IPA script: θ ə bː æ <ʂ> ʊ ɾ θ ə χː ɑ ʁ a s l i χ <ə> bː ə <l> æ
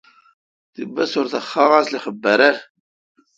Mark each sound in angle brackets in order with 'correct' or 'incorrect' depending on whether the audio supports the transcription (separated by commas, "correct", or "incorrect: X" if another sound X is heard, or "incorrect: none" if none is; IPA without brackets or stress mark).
incorrect: s, correct, incorrect: ɾ